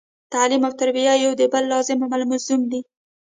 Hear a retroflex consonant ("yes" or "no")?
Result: no